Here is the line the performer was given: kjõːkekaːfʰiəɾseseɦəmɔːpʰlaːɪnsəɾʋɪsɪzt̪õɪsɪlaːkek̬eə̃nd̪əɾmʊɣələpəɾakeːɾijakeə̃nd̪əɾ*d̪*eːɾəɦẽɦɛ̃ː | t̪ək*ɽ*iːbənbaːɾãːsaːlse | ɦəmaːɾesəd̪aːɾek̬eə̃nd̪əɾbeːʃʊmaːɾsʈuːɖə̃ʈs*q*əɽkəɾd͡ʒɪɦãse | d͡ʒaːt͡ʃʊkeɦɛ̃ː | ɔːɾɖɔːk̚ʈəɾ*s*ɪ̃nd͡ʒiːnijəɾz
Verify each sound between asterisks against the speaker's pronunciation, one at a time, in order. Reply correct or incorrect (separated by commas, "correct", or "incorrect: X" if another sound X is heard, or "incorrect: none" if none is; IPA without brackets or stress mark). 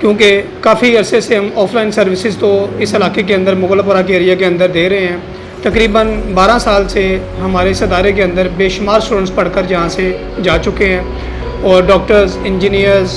correct, incorrect: ɾ, incorrect: p, incorrect: z